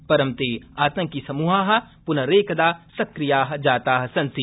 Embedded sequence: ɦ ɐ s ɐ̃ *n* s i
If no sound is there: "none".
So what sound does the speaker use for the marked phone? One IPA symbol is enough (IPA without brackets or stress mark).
n